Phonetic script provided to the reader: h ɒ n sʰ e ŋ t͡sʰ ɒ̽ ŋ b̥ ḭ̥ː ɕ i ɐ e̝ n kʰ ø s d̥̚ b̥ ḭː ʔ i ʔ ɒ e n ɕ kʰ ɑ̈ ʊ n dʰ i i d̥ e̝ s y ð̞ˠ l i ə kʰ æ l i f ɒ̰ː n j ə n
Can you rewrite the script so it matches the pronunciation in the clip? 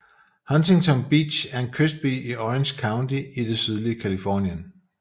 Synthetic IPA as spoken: h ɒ n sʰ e ŋ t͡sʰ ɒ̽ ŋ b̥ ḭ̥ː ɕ æ ɐ e̝ n kʰ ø s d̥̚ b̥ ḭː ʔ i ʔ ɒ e n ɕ kʰ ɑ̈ ʊ n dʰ i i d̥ e̝ s y ð̞ˠ l i ə kʰ æ l i f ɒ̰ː n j ə n